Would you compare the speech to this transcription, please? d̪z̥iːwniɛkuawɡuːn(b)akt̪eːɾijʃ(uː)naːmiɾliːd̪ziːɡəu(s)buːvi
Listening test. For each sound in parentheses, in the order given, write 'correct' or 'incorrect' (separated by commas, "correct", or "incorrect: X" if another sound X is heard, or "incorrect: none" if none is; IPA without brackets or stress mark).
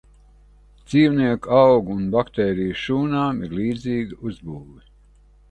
correct, correct, incorrect: z